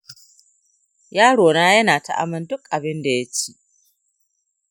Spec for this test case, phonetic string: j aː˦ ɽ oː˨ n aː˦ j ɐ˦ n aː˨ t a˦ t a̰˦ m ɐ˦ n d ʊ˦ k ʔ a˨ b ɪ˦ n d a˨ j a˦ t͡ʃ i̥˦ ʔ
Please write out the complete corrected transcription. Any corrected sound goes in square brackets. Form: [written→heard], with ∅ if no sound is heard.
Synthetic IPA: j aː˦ ɽ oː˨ n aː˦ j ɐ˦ n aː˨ t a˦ [t→ʔ] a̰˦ m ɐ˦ n d ʊ˦ k ʔ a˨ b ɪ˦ n d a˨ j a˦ t͡ʃ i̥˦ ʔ